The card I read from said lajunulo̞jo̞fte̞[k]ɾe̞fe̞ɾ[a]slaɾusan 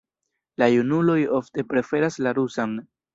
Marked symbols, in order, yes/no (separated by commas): no, yes